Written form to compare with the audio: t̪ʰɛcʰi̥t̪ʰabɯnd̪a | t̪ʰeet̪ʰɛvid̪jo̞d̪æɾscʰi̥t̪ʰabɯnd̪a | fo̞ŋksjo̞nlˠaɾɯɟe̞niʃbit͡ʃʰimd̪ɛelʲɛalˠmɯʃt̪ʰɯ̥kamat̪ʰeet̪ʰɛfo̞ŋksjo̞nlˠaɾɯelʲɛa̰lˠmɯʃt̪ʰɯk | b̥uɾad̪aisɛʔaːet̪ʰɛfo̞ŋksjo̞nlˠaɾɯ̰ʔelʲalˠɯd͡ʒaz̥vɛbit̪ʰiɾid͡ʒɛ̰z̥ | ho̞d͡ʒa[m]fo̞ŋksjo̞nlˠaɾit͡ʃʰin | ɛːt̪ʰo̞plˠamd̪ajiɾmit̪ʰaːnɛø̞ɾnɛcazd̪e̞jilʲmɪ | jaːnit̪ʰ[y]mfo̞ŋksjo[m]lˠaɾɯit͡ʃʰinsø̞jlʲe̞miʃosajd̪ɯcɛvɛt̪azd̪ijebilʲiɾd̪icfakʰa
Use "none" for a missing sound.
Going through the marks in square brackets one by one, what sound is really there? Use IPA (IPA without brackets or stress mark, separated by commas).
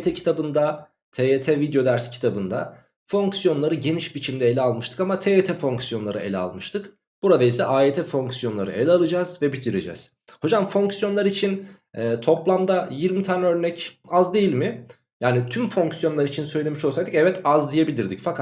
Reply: m, y, n